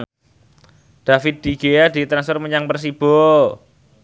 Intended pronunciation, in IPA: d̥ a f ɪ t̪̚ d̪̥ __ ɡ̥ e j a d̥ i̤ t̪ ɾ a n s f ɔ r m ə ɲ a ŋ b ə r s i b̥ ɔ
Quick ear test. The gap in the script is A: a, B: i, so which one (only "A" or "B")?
B